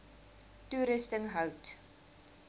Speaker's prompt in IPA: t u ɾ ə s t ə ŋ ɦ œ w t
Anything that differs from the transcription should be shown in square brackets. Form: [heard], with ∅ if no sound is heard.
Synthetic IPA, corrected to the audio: t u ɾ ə s t ə ŋ ɦ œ w t